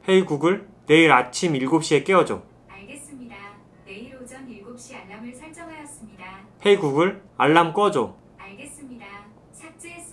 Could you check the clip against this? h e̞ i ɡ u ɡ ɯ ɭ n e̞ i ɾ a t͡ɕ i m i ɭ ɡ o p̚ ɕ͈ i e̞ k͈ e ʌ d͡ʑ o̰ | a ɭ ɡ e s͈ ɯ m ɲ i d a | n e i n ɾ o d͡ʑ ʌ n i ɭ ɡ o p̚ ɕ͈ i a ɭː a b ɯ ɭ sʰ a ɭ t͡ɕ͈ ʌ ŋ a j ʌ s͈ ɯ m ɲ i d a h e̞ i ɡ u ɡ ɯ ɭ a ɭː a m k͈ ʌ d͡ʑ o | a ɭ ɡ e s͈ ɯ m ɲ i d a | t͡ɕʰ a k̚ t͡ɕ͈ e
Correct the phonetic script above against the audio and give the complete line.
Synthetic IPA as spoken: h e̞ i ɡ u ɡ ɯ ɭ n e̞ i ɾ a t͡ɕʰ i m i ɭ ɡ o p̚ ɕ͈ i e̞ k͈ e ʌ d͡ʑ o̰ | a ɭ ɡ e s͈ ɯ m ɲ i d a | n e i ɾ o d͡ʑ ʌ n i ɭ ɡ o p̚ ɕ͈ i a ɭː a m ɯ ɭ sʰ a ɭ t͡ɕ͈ ʌ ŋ a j ʌ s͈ ɯ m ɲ i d a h e̞ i ɡ u ɡ ɯ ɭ a ɭː a m k͈ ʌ d͡ʑ o | a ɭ ɡ e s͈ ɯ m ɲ i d a | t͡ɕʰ a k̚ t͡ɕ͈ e